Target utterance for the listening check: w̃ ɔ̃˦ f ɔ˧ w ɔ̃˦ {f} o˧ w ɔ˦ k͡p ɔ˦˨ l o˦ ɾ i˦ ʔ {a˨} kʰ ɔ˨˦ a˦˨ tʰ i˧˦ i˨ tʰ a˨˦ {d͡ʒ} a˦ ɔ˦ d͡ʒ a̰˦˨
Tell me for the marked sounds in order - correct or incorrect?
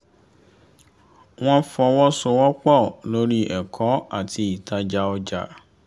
incorrect: s, incorrect: ɛ˨, correct

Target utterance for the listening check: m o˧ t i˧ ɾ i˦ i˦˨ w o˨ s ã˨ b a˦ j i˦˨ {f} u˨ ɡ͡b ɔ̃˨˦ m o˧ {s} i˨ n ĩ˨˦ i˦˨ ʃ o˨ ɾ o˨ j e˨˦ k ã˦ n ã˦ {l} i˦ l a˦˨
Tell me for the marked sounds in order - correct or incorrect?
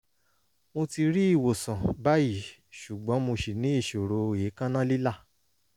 incorrect: ʃ, incorrect: ʃ, correct

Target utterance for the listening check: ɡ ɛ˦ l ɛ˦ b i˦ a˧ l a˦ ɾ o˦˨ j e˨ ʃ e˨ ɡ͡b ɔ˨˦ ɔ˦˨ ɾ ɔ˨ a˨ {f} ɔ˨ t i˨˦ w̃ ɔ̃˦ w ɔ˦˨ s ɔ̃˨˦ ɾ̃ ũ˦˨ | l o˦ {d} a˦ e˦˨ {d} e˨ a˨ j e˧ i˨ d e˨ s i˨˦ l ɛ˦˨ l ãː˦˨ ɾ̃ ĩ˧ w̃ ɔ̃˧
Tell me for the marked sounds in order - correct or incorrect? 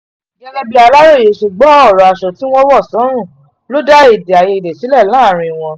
incorrect: ʃ, correct, correct

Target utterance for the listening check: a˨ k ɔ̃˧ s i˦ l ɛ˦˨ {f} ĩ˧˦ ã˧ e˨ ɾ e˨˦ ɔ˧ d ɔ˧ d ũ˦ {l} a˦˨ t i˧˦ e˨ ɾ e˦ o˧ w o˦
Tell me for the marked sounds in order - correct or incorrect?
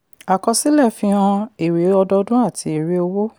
correct, incorrect: none

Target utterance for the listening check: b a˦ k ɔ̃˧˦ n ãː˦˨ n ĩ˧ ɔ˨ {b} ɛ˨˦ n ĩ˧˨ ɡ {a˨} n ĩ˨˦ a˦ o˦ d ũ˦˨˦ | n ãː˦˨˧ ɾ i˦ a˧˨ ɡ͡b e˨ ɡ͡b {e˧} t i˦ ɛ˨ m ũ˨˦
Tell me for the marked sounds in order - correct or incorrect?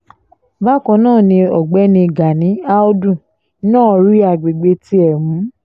incorrect: ɡ͡b, correct, correct

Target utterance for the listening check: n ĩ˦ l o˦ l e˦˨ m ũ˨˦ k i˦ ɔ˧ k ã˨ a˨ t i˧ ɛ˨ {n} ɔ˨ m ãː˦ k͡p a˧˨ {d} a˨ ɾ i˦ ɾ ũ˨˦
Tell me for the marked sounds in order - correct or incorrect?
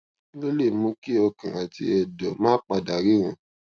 incorrect: d, correct

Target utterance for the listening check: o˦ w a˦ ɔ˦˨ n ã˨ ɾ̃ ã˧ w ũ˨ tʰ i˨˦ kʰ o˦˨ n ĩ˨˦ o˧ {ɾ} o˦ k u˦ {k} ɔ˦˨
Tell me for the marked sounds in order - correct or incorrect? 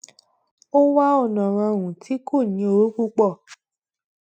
correct, incorrect: k͡p

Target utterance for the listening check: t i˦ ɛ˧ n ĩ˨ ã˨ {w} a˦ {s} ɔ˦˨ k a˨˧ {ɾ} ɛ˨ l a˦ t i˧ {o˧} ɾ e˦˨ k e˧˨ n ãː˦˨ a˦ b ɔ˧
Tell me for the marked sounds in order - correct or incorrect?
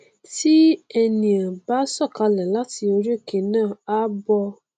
incorrect: b, correct, incorrect: l, correct

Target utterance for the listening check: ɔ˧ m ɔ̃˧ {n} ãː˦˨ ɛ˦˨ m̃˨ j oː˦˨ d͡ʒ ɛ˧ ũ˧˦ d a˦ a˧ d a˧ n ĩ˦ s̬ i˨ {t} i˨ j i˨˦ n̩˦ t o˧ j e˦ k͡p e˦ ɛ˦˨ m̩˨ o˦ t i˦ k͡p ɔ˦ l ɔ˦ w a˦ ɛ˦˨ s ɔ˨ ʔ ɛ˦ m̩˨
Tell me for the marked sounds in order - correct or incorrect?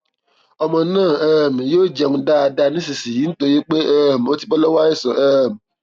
correct, incorrect: s

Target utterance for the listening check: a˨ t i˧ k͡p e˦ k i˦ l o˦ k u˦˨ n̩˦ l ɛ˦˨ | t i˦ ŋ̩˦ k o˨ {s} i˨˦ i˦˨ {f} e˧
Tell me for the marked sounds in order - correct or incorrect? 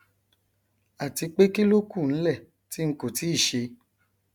incorrect: t, incorrect: ʃ

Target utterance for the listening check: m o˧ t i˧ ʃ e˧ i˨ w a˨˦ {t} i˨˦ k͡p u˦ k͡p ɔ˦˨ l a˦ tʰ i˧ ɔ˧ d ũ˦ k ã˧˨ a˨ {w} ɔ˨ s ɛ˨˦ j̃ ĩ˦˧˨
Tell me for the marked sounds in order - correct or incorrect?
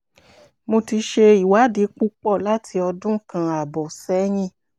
incorrect: d, incorrect: b

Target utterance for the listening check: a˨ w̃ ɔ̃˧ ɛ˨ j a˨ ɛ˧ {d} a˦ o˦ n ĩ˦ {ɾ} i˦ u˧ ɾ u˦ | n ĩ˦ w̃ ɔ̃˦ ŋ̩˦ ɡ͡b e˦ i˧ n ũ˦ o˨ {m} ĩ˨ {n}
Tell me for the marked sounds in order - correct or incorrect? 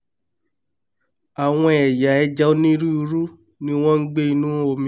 incorrect: d͡ʒ, correct, correct, incorrect: none

